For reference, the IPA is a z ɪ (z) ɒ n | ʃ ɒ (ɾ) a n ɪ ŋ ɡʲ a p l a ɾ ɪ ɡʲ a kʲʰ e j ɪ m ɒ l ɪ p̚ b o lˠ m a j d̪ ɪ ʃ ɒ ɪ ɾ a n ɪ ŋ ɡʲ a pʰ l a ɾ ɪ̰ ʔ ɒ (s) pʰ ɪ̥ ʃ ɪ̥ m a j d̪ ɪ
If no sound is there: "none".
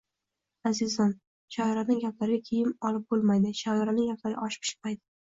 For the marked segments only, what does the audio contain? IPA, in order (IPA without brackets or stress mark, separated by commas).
z, ɾ, ʃ